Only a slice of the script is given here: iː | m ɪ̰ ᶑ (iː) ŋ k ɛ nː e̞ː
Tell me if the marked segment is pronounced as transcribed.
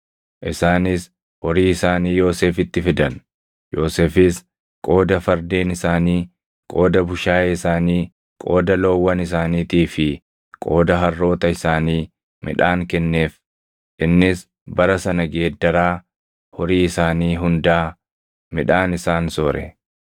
no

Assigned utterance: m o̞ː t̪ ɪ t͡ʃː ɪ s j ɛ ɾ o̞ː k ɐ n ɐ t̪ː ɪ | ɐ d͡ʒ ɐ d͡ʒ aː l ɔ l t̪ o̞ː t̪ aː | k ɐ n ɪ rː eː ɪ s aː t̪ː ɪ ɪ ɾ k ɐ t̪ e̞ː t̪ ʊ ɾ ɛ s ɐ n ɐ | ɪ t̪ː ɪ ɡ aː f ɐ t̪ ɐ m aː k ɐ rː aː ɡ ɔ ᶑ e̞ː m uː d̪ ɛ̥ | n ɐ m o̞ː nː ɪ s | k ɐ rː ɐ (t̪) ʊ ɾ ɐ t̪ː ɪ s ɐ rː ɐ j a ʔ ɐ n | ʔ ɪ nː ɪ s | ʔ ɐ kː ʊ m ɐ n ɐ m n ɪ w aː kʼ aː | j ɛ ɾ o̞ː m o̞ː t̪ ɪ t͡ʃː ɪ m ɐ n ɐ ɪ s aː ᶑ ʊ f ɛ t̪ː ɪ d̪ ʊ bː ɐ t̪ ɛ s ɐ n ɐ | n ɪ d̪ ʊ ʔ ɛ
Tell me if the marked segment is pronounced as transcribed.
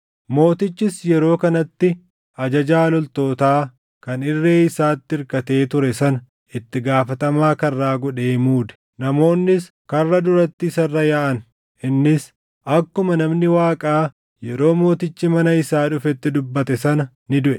no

